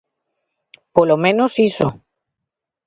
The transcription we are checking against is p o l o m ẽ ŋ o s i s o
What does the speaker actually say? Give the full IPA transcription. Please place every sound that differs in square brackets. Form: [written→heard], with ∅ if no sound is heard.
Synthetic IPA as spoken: p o l o m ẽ [ŋ→n] o s i s o